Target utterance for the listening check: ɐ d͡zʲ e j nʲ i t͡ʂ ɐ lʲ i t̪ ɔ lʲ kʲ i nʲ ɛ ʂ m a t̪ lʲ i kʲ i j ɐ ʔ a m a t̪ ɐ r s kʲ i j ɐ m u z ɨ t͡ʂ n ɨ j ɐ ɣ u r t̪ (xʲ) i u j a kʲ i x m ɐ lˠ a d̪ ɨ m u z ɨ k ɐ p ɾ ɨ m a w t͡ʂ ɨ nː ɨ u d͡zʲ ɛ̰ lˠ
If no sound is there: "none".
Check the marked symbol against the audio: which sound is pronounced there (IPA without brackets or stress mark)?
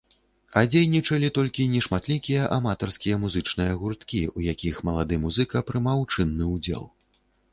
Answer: kʲ